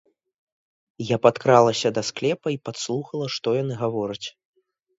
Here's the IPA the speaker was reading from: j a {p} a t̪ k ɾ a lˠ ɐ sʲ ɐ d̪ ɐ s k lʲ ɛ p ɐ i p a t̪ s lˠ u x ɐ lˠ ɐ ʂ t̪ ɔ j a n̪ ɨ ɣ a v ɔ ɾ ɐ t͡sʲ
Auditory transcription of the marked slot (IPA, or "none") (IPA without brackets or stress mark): p